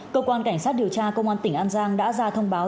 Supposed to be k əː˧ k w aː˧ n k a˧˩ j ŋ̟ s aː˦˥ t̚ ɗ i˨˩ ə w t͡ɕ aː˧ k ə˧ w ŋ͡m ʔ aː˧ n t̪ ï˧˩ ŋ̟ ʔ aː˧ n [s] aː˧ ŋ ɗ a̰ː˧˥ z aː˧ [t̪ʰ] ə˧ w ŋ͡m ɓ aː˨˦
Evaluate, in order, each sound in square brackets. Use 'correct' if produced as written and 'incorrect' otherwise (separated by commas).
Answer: incorrect, correct